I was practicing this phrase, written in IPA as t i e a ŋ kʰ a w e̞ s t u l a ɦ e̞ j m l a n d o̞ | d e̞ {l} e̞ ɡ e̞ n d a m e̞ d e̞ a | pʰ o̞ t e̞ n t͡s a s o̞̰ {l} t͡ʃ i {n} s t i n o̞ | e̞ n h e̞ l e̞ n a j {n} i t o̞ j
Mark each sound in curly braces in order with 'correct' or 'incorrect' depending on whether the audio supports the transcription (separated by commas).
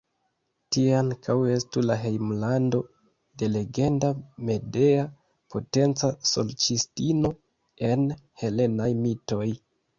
correct, correct, incorrect, incorrect